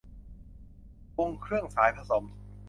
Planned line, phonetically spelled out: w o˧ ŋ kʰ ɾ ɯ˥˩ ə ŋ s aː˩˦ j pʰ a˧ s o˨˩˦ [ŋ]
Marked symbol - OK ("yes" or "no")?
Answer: no